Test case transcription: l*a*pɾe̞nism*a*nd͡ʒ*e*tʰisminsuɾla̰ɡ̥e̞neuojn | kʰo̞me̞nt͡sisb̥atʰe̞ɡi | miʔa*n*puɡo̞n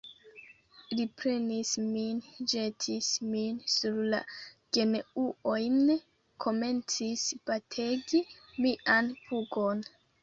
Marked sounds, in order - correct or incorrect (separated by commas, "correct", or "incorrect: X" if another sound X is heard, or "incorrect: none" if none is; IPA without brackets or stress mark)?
incorrect: i, incorrect: i, correct, correct